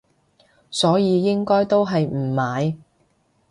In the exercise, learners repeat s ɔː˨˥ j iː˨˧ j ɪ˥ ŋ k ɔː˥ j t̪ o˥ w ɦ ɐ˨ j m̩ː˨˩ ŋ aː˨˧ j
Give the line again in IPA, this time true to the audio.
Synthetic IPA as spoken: s ɔː˨˥ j iː˨˧ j ɪ˥ ŋ k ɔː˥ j t̪ o˥ w ɦ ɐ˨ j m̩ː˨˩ m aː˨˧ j